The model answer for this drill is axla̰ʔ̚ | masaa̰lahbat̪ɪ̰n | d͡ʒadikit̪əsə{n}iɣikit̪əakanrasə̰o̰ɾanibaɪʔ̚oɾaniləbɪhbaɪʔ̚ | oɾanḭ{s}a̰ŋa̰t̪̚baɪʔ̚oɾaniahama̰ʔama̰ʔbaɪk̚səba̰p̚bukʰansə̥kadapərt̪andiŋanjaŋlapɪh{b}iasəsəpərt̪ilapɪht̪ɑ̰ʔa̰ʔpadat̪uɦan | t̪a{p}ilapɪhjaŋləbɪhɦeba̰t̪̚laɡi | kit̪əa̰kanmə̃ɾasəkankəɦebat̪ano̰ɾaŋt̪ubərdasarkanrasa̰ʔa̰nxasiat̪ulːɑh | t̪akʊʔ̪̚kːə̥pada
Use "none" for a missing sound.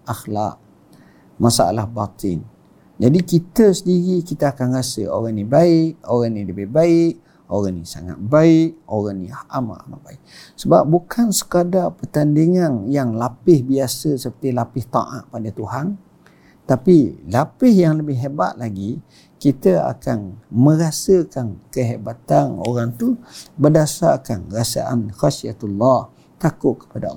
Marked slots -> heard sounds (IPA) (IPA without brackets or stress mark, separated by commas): d, s, b, p